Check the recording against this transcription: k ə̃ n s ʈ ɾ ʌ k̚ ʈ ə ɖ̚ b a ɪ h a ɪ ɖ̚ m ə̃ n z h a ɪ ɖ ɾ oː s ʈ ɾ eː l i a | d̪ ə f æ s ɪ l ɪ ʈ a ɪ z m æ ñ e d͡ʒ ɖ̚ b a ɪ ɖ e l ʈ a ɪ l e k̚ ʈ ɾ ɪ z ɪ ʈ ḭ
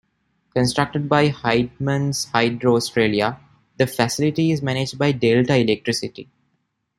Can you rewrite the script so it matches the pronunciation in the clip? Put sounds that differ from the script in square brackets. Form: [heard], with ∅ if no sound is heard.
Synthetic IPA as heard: k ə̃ n s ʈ ɾ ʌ k̚ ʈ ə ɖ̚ b a ɪ h a ɪ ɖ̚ m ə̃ n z h a ɪ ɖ ɾ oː s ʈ ɾ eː l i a | d̪ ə f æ s ɪ l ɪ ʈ [i] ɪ z m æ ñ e d͡ʒ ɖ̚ b a ɪ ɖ e l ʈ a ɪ l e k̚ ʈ ɾ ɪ [s] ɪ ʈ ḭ

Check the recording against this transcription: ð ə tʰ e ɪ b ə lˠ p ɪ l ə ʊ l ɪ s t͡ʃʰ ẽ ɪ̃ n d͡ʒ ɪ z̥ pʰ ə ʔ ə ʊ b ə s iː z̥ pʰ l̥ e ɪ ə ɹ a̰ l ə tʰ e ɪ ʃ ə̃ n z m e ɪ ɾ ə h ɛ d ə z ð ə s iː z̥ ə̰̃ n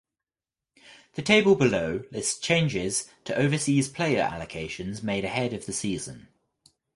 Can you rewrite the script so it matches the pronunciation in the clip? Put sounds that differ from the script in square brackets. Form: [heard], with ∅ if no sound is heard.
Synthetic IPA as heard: ð ə tʰ e ɪ b ə lˠ [b] ɪ l ə ʊ l ɪ s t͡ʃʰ ẽ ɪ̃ n d͡ʒ ɪ z̥ [tʰ] ə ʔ ə ʊ [v] ə s iː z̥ pʰ l̥ e ɪ ə ɹ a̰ l ə [kʰ] e ɪ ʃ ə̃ n z m e ɪ ɾ ə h ɛ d ə [v] ð ə s iː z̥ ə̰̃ n

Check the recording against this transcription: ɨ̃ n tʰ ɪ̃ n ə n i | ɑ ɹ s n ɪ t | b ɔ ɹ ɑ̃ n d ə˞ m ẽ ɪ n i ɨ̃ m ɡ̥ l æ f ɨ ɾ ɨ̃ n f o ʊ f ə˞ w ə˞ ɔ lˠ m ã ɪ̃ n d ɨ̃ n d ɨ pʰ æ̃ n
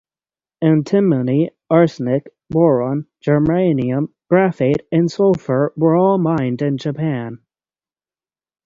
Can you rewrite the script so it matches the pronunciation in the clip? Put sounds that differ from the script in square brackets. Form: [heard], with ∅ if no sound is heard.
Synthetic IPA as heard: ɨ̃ n tʰ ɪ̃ [m] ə n i | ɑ ɹ s n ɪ [k] | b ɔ ɹ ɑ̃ n [d͡ʒ] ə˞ m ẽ ɪ n i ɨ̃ m ɡ̥ [ɹ] æ f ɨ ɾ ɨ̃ n [s] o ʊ f ə˞ w ə˞ ɔ lˠ m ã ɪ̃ n d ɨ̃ n [d͡ʒ] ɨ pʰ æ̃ n

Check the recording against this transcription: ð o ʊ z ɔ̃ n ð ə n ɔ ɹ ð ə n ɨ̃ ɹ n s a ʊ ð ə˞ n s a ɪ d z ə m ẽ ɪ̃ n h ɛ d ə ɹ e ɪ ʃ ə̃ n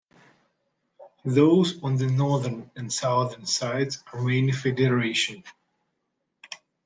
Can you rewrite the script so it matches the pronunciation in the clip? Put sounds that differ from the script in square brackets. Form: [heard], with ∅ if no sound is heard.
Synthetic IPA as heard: ð o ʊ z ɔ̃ n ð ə n ɔ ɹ ð ə n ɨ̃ [∅] n s a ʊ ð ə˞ n s a ɪ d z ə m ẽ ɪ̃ n [f] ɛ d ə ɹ e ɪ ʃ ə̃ n

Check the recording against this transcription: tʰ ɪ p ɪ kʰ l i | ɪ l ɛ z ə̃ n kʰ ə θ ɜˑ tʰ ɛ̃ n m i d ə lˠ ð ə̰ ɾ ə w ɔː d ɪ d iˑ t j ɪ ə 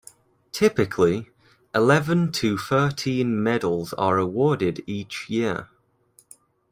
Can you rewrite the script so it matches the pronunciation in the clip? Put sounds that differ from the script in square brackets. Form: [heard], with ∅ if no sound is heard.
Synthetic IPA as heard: tʰ ɪ p ɪ kʰ l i | ɪ l ɛ [v] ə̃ n [tʰ] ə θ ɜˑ tʰ [ĩ] n m [ɛ] d ə lˠ [z] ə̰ [ɹ] ə w ɔː d ɪ d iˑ [t͡ʃ] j ɪ ə

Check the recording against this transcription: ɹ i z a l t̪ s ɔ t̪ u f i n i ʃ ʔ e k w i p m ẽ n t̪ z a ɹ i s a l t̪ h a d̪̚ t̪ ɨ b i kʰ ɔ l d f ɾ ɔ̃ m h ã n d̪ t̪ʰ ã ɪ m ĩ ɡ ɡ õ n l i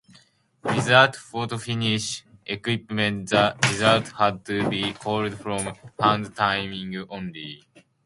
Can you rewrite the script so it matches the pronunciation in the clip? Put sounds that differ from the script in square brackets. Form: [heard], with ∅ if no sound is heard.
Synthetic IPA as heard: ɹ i z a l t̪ [f] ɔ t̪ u f i n i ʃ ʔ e k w i p m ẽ n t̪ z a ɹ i [z] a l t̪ h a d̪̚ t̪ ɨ b i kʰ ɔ l d f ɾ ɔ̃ m h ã n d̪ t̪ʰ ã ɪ m ĩ [ŋ] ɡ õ n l i

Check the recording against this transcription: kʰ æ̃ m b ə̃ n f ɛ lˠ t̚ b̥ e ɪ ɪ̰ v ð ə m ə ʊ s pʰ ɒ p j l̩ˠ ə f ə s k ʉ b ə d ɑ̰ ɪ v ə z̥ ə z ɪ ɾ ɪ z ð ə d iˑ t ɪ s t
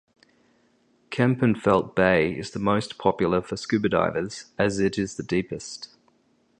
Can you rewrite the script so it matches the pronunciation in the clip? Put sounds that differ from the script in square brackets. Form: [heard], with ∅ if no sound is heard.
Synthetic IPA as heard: kʰ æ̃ m [p] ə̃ n f ɛ lˠ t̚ b̥ e ɪ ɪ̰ [z] ð ə m ə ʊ s pʰ ɒ p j l̩ˠ ə f ə s k ʉ b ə d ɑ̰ ɪ v ə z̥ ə z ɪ ɾ ɪ z ð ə d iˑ [p] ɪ s t

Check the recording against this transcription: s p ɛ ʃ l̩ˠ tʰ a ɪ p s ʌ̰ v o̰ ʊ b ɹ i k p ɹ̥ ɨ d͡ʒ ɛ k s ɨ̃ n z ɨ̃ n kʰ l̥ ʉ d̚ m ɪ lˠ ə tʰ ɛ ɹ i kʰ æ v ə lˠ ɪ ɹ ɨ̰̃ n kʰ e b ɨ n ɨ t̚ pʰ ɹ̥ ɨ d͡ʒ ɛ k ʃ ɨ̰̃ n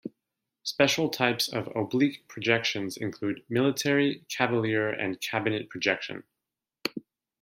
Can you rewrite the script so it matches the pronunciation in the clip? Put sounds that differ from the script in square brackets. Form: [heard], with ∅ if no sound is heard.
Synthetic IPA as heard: s p ɛ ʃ l̩ˠ tʰ a ɪ p s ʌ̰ v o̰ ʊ b [l] i k [pʰ] ɹ̥ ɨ d͡ʒ ɛ k [ʃ] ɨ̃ n z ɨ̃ n kʰ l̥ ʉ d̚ m ɪ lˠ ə tʰ ɛ ɹ i kʰ æ v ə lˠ ɪ ɹ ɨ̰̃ n kʰ [æ] b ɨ n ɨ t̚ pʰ ɹ̥ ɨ d͡ʒ ɛ k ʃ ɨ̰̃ n

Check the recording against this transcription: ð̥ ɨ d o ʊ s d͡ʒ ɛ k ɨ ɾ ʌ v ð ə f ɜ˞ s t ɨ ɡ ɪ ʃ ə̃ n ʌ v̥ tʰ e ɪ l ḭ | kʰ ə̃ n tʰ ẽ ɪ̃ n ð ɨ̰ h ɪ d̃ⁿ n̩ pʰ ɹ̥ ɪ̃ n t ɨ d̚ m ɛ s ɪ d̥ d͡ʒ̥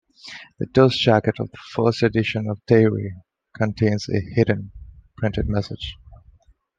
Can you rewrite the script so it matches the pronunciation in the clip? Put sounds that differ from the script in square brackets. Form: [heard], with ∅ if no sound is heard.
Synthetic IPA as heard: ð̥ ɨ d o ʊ s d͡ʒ [æ] k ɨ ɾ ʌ v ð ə f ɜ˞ s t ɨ [d] ɪ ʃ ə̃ n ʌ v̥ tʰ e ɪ [ɹ] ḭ | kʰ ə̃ n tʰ ẽ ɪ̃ n [z] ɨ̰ h ɪ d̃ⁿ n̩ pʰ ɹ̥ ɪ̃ n t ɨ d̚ m ɛ s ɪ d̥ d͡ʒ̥

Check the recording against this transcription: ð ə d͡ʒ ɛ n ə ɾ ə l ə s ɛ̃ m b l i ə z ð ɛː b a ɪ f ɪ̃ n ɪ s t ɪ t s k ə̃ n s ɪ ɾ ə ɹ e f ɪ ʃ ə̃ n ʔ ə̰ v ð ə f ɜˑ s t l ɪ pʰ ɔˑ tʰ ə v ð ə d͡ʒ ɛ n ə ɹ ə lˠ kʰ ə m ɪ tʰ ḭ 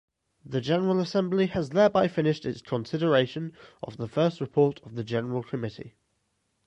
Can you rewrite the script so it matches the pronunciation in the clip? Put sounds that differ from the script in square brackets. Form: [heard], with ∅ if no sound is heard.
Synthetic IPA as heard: ð ə d͡ʒ ɛ n ə [ɹ] ə l ə s ɛ̃ m b l i ə z ð ɛː b a ɪ f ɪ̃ n ɪ [ʃ] t ɪ t s [kʰ] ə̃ n s ɪ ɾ ə ɹ e [∅] ɪ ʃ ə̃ n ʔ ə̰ v ð ə f ɜˑ s t [ɹ] ɪ pʰ ɔˑ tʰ ə v ð ə d͡ʒ ɛ n ə ɹ ə lˠ kʰ ə m ɪ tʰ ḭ

